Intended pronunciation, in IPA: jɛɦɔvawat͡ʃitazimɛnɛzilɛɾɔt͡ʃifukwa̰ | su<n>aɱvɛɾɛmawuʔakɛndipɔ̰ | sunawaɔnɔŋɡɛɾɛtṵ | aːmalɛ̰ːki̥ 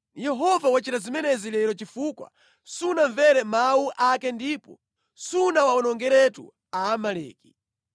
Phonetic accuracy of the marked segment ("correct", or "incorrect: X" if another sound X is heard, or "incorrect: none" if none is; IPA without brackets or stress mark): correct